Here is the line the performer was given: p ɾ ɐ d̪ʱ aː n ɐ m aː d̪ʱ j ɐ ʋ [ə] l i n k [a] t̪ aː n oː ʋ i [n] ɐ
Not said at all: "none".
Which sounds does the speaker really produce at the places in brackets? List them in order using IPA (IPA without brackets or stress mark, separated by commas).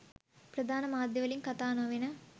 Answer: ɐ, ɐ, n